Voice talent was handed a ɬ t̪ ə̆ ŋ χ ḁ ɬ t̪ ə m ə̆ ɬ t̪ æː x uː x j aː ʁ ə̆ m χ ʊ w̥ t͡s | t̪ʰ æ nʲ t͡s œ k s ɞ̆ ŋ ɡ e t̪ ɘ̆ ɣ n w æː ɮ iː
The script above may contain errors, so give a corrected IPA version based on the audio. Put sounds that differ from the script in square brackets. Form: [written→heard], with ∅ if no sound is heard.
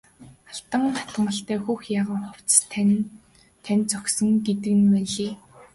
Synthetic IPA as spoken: a ɬ t̪ ə̆ ŋ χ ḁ [ɬ→∅] t̪ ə m ə̆ ɬ t̪ æː x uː x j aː ʁ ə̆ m χ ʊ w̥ t͡s | t̪ʰ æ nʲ t͡s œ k s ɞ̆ ŋ ɡ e t̪ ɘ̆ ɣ n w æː ɮ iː